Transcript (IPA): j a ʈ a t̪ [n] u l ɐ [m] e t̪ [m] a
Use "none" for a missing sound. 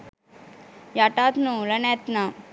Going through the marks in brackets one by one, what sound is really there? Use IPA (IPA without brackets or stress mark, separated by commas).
n, n, n